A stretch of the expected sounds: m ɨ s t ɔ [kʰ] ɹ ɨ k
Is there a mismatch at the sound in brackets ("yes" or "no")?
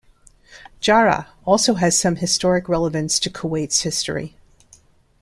yes